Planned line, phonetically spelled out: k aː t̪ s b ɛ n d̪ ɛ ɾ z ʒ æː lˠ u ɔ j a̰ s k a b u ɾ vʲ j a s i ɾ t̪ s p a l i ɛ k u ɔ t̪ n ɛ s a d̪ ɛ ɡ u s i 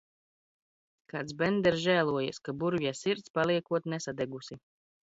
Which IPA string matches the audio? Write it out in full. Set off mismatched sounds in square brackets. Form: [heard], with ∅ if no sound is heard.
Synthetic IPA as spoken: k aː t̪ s b ɛ n d̪ ɛ ɾ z ʒ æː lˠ u ɔ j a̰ s k a b u ɾ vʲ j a s i ɾ t̪ s p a l i ɛ k u ɔ t̪ n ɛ s a d̪ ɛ ɡ u s i